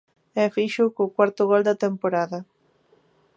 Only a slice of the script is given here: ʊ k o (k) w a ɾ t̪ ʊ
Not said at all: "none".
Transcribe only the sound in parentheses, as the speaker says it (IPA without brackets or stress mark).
k